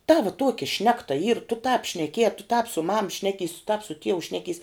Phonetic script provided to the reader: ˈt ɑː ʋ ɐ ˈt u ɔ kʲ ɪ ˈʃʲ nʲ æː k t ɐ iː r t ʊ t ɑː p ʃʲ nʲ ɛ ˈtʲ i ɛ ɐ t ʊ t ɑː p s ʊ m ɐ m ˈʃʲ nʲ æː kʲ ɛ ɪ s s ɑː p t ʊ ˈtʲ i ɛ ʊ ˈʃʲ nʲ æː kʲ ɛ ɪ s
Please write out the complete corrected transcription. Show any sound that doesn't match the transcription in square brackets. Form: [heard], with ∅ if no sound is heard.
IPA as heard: ˈt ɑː ʋ ɐ ˈt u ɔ kʲ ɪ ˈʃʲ nʲ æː k t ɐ iː r t ʊ t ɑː p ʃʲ nʲ ɛ [ˈkʲ] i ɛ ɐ t ʊ t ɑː p s ʊ m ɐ m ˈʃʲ nʲ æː kʲ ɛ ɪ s [t] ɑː p [s] ʊ ˈtʲ i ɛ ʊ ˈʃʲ nʲ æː kʲ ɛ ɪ s